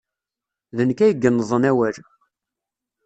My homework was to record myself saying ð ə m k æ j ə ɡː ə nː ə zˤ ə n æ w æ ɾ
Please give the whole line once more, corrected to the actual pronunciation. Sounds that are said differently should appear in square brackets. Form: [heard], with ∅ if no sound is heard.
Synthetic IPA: ð ə [n] k æ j ə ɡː ə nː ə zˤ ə n æ w æ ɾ

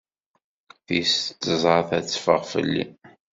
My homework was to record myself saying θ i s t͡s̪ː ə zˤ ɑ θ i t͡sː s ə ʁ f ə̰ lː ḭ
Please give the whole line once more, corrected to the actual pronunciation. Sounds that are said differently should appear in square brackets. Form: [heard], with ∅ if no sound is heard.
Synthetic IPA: θ i s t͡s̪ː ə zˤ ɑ θ [æ] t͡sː [f] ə ʁ f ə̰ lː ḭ

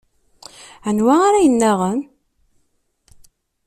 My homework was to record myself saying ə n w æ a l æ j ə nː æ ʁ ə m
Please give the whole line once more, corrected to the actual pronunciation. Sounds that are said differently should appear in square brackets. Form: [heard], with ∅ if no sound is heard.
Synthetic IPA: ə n w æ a [ɾ] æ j ə nː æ ʁ ə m

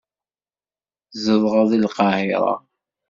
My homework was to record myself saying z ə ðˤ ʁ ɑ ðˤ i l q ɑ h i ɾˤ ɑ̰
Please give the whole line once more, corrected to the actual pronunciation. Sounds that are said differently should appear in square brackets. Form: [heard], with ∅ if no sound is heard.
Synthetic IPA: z ə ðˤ ʁ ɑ ðˤ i l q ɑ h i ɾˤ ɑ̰

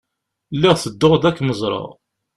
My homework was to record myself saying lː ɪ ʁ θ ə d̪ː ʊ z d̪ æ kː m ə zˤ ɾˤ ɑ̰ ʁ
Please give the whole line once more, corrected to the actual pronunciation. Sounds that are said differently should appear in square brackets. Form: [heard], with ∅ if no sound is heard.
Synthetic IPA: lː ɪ ʁ θ ə d̪ː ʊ [ʁ] d̪ æ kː m ə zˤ ɾˤ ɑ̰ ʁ

